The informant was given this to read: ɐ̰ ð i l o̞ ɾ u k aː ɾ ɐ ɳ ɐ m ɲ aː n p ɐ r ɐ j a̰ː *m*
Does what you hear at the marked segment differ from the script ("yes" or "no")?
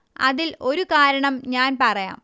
no